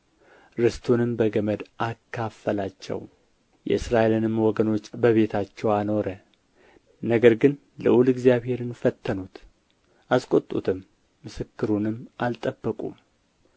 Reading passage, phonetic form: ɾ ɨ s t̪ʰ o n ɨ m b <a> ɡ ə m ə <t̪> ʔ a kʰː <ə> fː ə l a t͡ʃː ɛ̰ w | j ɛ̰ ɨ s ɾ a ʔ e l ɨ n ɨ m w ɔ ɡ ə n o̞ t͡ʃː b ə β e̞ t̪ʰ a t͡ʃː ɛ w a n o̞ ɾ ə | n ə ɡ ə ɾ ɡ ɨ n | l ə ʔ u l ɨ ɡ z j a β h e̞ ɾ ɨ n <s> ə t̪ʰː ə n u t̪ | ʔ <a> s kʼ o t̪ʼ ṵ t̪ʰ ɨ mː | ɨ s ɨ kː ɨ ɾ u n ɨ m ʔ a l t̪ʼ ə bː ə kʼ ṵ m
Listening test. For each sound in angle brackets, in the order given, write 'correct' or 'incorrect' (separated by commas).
incorrect, incorrect, incorrect, incorrect, correct